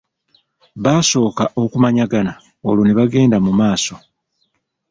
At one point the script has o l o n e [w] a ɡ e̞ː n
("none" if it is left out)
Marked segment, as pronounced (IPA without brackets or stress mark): β